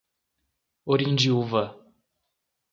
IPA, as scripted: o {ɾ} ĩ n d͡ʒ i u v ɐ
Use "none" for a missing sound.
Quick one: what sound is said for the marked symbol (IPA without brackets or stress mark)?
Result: ɾ